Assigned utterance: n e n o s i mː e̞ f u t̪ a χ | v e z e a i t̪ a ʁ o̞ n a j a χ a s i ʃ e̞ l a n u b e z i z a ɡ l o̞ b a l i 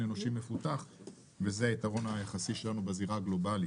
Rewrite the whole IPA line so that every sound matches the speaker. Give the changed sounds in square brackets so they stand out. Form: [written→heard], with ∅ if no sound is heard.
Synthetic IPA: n e n o [s→ʃ] i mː e̞ f u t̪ a χ | v e z e a i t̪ a ʁ o̞ n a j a χ a s i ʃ e̞ l a n u b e z i [z→ʁ] a ɡ l o̞ b a l i